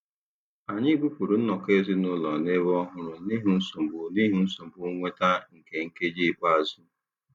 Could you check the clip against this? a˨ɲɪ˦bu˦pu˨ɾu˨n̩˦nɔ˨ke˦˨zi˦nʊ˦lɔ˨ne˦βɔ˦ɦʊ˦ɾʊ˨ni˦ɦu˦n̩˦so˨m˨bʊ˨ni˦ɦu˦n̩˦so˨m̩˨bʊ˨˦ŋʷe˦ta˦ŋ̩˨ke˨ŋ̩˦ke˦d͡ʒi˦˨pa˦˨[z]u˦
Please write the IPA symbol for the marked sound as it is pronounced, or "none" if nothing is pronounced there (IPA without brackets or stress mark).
z